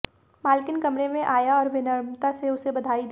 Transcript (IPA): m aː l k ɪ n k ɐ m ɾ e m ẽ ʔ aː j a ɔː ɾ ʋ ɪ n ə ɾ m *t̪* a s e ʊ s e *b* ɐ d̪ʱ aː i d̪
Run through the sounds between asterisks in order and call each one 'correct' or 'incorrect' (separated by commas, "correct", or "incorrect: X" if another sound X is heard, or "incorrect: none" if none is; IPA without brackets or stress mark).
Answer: correct, correct